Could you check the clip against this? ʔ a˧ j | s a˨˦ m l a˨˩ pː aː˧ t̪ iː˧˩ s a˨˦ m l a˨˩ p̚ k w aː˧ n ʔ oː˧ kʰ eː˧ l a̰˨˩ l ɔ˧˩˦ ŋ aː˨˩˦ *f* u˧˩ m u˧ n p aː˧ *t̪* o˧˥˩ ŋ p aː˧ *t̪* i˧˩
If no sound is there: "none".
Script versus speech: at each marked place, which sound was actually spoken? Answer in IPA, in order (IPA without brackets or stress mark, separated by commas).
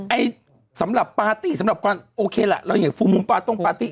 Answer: f, t̪, t̪